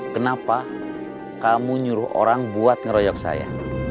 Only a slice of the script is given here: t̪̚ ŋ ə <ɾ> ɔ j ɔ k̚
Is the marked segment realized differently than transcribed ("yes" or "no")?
no